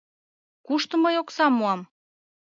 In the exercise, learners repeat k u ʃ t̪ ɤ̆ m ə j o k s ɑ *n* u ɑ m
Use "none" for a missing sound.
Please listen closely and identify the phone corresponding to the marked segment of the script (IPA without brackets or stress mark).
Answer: m